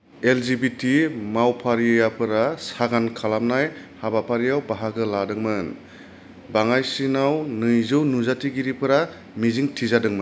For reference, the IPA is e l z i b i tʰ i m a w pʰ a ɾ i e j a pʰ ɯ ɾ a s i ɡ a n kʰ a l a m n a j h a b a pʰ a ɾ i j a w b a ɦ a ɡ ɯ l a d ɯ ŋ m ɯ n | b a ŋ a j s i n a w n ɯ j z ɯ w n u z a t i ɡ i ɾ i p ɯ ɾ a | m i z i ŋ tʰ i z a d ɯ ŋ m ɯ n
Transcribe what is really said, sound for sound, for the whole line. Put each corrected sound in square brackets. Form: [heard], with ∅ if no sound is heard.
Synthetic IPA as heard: e l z i b i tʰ i m a w pʰ a ɾ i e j a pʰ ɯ ɾ a s [a] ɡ a n kʰ a l a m n a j h a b a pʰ a ɾ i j a w b a ɦ a ɡ ɯ l a d ɯ ŋ m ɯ n | b a ŋ a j s i n a w n ɯ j z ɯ w n u z a t i ɡ i ɾ i p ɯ ɾ a | m i z i ŋ tʰ i z a d ɯ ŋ m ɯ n

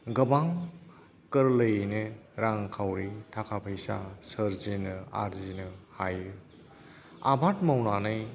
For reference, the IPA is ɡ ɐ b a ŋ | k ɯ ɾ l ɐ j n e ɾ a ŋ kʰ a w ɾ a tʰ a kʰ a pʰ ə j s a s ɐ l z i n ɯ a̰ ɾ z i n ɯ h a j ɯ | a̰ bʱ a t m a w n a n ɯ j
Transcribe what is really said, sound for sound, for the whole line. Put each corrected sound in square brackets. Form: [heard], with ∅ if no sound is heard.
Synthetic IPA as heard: ɡ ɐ b a ŋ | k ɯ ɾ l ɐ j n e ɾ a ŋ kʰ a w ɾ [i] tʰ a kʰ a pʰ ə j s a s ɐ [ɾ] z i n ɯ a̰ ɾ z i n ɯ h a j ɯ | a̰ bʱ a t m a w n a n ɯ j

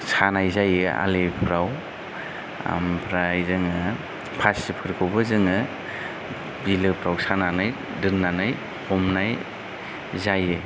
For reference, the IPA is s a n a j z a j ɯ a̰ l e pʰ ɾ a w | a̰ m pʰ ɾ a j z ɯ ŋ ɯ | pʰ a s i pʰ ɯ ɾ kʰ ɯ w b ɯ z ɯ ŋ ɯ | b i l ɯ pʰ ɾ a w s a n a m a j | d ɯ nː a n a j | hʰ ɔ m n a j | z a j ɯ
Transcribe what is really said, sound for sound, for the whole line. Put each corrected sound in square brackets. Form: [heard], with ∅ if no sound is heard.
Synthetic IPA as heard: s a n a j z a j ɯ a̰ l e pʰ ɾ a w | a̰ m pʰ ɾ a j z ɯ ŋ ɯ | pʰ a s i pʰ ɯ ɾ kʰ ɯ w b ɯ z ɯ ŋ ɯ | b i l ɯ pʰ ɾ a w s a n a [n] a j | d ɯ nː a n a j | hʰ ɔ m n a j | z a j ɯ

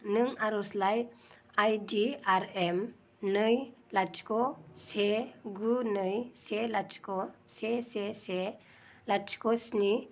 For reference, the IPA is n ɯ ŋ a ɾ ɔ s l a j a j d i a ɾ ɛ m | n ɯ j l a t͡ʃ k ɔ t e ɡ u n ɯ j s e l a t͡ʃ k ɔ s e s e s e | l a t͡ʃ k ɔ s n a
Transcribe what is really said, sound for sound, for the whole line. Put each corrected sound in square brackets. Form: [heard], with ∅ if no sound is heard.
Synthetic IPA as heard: n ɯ ŋ a ɾ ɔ s l a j a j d i a ɾ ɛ m | n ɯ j l a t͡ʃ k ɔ [s] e ɡ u n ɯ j s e l a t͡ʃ k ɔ s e s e s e | l a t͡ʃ k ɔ s n [i]

